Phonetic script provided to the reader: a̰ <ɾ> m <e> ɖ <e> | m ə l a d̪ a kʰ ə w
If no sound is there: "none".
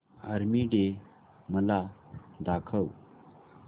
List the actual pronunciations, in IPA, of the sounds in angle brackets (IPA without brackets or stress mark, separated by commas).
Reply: ɾ, i, e